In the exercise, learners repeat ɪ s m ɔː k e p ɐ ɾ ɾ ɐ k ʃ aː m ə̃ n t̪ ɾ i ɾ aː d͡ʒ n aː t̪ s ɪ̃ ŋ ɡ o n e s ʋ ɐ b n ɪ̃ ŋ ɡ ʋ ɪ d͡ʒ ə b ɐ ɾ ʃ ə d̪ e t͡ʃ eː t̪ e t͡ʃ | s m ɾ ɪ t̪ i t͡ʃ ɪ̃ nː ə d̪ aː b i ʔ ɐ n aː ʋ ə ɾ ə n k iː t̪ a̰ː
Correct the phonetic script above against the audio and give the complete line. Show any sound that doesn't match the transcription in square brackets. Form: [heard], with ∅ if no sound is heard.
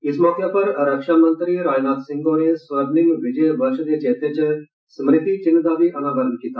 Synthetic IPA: ɪ s m ɔː k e p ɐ ɾ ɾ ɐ k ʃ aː m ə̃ n t̪ ɾ i ɾ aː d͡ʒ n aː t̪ s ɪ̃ ŋ ɡ o n e s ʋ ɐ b n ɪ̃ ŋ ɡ ʋ ɪ d͡ʒ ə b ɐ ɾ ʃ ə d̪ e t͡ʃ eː t̪ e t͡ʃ | s m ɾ ɪ t̪ i t͡ʃ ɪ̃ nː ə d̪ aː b i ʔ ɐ n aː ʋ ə ɾ ə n k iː t̪ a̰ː